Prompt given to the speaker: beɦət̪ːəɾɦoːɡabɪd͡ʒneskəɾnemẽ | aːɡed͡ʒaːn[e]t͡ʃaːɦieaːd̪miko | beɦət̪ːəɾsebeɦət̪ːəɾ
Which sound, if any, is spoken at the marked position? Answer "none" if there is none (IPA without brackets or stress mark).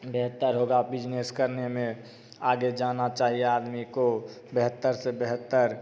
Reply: a